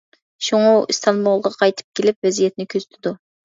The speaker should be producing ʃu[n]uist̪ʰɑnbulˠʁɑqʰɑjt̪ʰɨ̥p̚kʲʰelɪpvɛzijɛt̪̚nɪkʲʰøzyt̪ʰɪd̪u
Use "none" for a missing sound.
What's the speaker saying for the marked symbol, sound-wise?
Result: ŋ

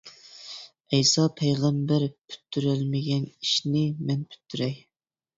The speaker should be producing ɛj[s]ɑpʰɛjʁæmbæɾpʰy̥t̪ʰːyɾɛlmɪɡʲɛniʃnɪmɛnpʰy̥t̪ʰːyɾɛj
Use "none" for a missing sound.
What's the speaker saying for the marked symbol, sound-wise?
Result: s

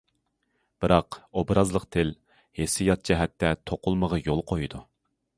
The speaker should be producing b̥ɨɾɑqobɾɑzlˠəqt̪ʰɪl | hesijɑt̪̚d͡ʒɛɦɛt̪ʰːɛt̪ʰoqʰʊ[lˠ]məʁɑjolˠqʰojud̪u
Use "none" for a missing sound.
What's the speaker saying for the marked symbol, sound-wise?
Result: lˠ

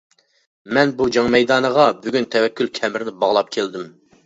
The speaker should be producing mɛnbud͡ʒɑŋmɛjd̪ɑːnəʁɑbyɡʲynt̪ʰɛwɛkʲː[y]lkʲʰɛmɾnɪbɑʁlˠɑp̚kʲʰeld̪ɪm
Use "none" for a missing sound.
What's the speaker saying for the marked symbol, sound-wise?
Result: y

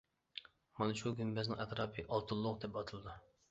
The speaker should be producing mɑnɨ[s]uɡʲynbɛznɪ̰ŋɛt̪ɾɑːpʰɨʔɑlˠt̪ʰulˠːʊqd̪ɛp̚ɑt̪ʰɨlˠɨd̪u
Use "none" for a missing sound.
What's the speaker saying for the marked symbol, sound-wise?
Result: ʃ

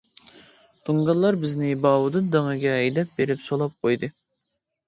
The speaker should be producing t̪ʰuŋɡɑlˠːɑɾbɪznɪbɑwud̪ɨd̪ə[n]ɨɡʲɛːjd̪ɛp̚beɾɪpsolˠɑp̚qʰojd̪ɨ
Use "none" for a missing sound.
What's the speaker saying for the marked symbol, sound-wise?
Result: ŋ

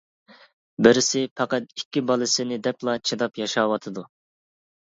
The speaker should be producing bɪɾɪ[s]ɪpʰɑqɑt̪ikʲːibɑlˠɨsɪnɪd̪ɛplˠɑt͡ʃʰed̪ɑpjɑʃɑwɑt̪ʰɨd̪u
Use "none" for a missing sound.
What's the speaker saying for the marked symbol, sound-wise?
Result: s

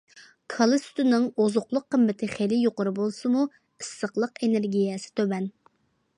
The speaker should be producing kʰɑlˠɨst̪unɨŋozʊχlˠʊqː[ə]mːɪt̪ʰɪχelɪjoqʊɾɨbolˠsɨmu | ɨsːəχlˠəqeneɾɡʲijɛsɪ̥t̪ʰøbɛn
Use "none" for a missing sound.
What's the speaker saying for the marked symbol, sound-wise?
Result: ə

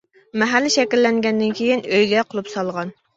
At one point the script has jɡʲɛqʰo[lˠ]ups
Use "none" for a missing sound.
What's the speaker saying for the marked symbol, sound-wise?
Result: lˠ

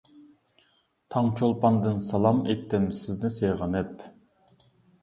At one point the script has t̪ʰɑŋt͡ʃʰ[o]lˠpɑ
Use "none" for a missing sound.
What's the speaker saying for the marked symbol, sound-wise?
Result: o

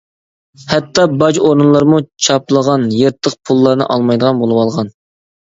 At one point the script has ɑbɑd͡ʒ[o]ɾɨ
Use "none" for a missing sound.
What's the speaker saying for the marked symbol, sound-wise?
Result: o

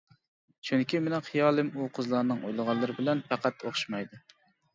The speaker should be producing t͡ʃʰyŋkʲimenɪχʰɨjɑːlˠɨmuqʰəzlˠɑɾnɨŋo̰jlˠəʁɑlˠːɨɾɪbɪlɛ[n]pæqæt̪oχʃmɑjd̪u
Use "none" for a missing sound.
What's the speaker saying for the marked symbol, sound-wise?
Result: n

